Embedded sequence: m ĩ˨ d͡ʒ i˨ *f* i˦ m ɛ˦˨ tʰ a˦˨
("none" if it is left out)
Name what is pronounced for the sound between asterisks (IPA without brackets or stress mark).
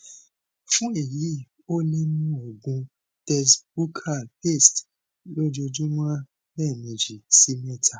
s